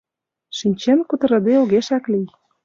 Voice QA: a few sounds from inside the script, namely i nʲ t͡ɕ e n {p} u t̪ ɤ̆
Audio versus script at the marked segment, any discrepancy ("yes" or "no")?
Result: yes